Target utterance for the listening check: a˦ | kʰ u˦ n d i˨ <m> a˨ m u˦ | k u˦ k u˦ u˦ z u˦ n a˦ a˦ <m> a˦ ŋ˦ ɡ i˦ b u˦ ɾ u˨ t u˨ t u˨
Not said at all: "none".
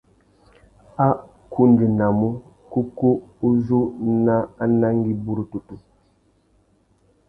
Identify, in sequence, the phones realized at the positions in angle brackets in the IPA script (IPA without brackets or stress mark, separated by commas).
n, n